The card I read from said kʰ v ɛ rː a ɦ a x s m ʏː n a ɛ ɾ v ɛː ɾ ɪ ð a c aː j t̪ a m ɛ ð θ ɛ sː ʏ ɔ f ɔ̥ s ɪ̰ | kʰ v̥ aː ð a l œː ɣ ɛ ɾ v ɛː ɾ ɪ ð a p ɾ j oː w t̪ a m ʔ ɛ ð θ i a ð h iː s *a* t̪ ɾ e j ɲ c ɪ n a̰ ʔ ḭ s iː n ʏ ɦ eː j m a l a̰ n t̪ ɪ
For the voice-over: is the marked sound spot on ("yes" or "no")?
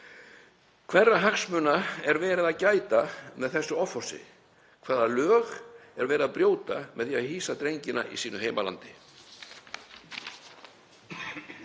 yes